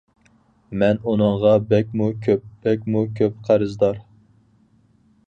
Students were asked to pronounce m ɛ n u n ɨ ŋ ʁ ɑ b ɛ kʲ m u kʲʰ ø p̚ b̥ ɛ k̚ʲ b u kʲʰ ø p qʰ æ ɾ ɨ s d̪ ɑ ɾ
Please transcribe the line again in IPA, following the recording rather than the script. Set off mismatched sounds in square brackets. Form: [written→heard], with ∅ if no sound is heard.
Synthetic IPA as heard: m ɛ n u n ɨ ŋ ʁ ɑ b ɛ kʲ m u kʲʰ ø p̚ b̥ ɛ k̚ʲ [b→m] u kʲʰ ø p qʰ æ ɾ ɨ [s→z] d̪ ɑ ɾ